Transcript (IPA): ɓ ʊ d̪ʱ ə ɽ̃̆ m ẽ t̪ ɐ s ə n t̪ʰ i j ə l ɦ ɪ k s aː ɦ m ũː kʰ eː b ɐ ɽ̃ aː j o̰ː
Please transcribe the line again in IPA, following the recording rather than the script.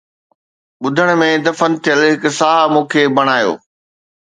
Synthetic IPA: ɓ ʊ d̪ʱ ə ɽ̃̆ m ẽ d̪ ɐ f ə n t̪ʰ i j ə l ɦ ɪ k s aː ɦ m ũː kʰ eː b ɐ ɽ̃ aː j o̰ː

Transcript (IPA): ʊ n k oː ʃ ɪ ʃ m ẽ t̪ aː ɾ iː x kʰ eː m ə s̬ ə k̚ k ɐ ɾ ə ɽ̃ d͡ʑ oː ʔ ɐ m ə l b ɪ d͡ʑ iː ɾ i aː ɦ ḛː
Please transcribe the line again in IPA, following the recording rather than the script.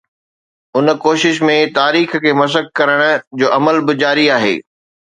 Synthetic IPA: ʊ n k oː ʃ ɪ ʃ m ẽ t̪ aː ɾ iː x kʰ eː m ɐ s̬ ə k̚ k ɐ ɾ ə ɽ̃ d͡ʑ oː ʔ ɐ m ə l b ɪ d͡ʑ aː ɾ i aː ɦ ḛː

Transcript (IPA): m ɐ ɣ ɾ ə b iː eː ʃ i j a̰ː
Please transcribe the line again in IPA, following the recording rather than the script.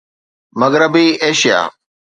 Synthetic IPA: m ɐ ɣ ɾ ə b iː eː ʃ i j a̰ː

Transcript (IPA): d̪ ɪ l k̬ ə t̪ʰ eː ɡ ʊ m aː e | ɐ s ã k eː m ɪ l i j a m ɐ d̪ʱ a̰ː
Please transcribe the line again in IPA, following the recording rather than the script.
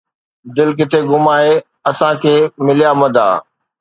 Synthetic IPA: d̪ ɪ l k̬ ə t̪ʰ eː ɡ ʊ m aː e | ɐ s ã kʰ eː m ɪ l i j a m ɐ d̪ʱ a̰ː

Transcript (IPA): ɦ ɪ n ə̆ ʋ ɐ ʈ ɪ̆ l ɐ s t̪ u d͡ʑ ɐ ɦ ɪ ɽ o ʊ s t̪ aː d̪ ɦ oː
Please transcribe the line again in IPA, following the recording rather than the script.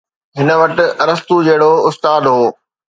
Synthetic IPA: ɦ ɪ n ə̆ ʋ ɐ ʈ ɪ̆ ɾ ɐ s t̪ u d͡ʑ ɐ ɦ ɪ ɽ o ʊ s t̪ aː d̪ ɦ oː

